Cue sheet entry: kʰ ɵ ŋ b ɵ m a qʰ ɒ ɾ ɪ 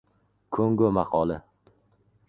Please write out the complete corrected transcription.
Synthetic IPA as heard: kʰ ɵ ŋ ɡ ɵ m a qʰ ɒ l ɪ